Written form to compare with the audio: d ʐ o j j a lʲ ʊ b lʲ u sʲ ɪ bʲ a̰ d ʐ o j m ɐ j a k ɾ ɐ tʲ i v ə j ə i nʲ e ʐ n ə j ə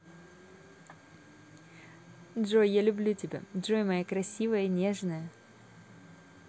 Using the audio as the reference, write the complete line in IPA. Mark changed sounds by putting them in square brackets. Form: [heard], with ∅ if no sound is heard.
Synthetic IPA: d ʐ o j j a lʲ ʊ b lʲ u [tʲ] ɪ bʲ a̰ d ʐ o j m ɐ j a k ɾ ɐ [sʲ] i v ə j ə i nʲ e ʐ n ə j ə